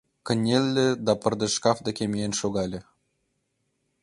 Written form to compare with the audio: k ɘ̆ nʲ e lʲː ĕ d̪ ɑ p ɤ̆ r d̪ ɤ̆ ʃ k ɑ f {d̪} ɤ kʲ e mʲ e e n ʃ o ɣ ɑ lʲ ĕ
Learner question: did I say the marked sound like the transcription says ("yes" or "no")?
yes